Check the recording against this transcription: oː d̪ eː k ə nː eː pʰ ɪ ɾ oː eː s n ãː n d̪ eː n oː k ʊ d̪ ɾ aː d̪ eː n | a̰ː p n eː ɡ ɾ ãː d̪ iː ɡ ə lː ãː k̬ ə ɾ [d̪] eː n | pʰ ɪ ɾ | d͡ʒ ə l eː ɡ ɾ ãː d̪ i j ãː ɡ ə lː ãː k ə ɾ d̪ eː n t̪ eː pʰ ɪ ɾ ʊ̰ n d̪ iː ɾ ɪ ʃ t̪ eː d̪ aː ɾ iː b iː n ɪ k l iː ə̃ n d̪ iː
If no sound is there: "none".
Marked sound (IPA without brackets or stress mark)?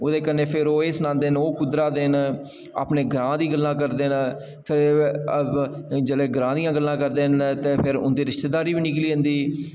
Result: d̪